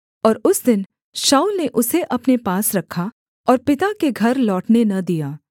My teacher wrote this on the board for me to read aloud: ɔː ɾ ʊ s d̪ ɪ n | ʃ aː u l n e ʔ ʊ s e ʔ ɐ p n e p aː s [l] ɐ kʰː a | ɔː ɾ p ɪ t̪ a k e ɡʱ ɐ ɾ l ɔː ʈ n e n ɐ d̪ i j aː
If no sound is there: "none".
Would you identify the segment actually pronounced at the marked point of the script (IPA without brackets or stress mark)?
ɾ